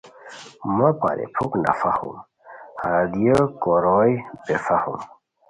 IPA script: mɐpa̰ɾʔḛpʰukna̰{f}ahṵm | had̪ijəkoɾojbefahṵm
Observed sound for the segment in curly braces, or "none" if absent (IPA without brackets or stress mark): f